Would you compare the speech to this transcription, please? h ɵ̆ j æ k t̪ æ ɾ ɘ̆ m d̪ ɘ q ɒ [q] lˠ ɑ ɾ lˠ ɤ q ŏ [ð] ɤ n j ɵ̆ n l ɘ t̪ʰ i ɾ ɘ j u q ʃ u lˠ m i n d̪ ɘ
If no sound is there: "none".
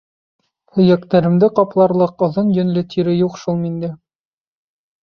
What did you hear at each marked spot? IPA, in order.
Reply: p, ð

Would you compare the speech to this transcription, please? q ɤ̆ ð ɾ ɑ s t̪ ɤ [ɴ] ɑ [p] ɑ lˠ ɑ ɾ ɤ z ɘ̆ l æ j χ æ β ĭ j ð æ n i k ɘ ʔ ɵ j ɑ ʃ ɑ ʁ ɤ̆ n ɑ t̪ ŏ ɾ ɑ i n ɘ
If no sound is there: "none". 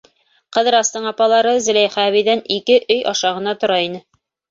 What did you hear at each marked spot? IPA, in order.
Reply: ɴ, p

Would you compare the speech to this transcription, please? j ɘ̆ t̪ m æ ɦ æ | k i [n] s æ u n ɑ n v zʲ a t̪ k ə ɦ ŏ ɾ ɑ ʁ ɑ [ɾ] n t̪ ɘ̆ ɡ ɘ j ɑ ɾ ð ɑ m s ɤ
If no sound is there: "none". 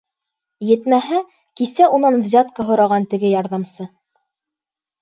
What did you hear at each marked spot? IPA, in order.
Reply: none, none

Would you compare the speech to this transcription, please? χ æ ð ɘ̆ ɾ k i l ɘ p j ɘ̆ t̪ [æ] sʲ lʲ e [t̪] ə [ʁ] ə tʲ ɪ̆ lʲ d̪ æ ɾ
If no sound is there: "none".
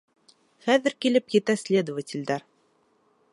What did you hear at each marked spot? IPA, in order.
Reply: æ, d̪, v

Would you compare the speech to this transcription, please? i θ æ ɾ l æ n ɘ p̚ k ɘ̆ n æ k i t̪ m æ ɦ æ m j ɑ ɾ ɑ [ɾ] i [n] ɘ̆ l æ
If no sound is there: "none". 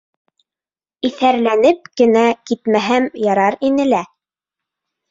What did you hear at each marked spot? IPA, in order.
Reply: ɾ, n

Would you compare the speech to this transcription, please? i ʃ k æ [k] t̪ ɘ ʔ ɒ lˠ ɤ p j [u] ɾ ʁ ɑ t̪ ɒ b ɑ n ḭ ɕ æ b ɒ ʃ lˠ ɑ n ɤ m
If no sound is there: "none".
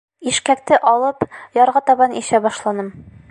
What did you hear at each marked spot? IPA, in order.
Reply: k, ɒ

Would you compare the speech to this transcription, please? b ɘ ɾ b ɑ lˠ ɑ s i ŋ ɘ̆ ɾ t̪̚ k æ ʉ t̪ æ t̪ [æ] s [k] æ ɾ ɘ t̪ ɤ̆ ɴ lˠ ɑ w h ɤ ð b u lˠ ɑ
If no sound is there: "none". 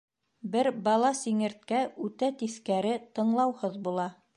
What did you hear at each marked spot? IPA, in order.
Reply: i, k

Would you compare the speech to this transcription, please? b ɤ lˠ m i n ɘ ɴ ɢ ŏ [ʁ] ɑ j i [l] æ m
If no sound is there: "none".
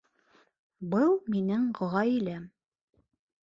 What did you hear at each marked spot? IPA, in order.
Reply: ʁ, l

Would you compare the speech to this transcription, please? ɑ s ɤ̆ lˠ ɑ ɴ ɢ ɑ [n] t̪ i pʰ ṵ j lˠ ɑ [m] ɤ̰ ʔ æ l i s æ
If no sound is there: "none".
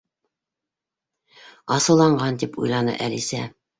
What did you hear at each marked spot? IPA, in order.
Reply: n, n

